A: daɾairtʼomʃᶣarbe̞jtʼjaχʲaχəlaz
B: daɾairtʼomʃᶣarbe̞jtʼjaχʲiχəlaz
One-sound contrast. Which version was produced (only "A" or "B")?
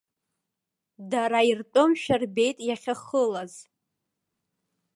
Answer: A